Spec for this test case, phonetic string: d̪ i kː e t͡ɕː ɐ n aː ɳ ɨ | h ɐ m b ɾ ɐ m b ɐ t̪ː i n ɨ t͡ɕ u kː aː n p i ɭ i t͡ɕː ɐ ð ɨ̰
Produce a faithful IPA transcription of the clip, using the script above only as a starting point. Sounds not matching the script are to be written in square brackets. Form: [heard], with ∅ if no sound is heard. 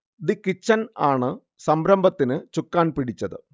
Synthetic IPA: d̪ i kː [i] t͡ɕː ɐ n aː ɳ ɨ | [s] ɐ m b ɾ ɐ m b ɐ t̪ː i n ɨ t͡ɕ u kː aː n p i [ɽ] i t͡ɕː ɐ ð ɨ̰